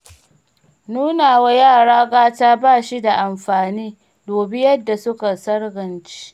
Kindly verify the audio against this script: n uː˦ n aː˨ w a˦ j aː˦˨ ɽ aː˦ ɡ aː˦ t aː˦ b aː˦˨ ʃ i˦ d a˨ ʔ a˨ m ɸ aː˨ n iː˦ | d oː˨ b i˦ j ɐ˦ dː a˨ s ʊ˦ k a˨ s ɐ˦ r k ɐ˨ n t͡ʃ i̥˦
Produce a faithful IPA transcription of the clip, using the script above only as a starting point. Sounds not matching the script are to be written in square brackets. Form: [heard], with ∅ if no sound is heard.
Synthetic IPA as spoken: n uː˦ n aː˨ w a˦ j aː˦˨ ɽ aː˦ ɡ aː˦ t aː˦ b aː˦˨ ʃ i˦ d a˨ ʔ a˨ m ɸ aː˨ n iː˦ | d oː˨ b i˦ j ɐ˦ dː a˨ s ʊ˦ k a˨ s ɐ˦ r [ɡ] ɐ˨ n t͡ʃ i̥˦

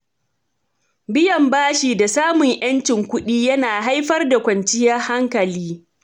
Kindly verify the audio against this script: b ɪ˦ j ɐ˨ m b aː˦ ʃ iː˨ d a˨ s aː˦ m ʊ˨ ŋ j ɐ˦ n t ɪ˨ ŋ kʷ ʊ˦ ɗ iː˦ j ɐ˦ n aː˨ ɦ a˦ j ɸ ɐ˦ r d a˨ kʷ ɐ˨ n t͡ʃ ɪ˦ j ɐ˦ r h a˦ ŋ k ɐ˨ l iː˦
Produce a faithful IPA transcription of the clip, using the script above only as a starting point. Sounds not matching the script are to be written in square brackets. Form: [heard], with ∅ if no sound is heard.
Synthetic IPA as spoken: b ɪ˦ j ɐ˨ m b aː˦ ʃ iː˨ d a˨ s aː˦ m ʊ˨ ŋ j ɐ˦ n [t͡ʃ] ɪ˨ ŋ kʷ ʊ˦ ɗ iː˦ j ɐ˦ n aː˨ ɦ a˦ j ɸ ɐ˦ r d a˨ kʷ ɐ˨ n t͡ʃ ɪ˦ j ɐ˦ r h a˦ ŋ k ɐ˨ l iː˦

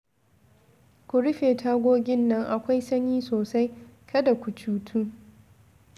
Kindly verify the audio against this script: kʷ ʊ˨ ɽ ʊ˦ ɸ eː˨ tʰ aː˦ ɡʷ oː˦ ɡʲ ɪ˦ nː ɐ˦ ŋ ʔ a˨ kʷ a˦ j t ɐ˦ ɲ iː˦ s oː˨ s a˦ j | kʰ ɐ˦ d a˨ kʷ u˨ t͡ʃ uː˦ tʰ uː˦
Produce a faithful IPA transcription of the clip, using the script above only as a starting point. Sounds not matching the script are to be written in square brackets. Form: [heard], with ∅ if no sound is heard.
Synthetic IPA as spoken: kʷ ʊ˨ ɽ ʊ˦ ɸ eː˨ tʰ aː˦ ɡʷ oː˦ ɡʲ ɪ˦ nː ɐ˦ ŋ ʔ a˨ kʷ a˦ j [s] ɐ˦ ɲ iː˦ s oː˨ s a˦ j | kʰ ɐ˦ d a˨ kʷ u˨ t͡ʃ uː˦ tʰ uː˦

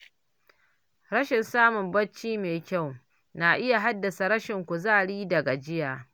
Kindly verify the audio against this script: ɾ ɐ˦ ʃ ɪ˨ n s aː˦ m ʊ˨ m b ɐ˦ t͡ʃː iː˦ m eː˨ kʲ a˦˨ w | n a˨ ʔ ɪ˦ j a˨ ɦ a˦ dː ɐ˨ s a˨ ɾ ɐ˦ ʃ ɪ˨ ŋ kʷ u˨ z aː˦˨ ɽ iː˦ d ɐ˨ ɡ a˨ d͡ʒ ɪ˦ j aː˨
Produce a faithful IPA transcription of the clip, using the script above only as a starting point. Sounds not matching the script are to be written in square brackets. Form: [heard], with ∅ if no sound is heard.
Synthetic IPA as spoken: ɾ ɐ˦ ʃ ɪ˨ n s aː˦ m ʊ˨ m b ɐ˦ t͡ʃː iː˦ m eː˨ kʲ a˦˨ w | n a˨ ʔ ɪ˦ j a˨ ɦ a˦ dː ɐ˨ s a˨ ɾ ɐ˦ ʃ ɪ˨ ŋ kʷ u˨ z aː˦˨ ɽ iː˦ d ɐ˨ ɡ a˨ d͡ʒ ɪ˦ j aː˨

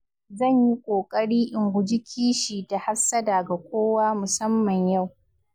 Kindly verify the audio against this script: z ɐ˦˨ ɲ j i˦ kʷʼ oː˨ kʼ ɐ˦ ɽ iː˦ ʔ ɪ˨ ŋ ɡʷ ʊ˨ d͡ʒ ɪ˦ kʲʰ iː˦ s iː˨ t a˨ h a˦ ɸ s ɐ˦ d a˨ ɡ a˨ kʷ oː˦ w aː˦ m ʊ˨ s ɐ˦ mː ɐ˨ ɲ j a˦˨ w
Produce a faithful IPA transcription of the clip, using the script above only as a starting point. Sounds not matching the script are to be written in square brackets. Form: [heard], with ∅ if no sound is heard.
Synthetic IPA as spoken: z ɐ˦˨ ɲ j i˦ kʷʼ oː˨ kʼ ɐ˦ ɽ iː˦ ʔ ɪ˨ ŋ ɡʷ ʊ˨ d͡ʒ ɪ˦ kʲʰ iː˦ [ʃ] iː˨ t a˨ h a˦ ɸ s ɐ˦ d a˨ ɡ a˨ kʷ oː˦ w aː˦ m ʊ˨ s ɐ˦ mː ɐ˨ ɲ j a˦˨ w

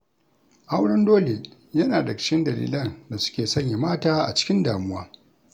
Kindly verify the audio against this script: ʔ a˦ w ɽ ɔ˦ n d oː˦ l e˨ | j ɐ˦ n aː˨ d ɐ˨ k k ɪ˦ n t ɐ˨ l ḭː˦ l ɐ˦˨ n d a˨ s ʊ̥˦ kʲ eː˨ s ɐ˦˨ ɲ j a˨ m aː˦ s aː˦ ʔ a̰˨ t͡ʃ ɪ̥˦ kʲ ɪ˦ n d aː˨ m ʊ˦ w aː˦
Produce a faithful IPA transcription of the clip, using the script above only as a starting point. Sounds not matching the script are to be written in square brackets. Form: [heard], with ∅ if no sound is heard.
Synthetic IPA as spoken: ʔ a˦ w ɽ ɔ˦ n d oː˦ l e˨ | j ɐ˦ n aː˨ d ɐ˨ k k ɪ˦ n [d] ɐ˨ l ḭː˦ l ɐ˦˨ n d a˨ s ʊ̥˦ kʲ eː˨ s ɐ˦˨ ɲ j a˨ m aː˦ [t] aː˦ ʔ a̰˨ t͡ʃ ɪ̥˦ kʲ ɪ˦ n d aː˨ m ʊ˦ w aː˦

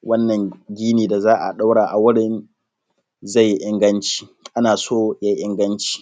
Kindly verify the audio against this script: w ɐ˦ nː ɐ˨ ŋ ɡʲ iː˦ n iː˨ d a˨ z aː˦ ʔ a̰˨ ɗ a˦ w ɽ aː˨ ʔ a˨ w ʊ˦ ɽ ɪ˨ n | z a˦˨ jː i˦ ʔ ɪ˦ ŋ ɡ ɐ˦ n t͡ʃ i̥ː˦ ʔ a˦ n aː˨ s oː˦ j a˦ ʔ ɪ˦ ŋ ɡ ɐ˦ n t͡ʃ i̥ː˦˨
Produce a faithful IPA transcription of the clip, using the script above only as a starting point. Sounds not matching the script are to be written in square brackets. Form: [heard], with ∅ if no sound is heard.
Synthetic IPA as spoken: w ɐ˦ nː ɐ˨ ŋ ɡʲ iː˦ n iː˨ d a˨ z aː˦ ʔ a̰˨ ɗ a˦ w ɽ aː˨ ʔ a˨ w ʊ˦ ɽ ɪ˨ n | z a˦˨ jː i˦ ʔ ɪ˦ ŋ ɡ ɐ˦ n t͡ʃ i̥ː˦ ʔ a˦ n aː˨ s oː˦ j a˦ ʔ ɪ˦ ŋ ɡ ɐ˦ n t͡ʃ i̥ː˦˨

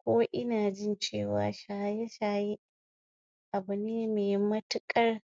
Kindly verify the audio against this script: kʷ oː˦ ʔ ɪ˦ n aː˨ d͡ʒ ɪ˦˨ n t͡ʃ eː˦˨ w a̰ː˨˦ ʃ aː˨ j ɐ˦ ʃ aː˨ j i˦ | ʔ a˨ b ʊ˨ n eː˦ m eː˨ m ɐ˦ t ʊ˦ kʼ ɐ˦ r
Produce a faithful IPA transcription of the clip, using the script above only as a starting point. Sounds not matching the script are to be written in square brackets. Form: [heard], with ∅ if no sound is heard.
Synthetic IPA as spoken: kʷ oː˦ ʔ ɪ˦ n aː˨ d͡ʒ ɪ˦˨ n t͡ʃ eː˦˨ w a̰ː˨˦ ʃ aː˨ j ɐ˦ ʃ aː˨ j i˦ | ʔ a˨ b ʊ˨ n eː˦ m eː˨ m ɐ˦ t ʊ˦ kʼ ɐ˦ r

